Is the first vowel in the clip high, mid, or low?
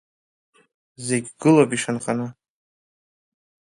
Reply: mid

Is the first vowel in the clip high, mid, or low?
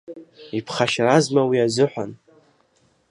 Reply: high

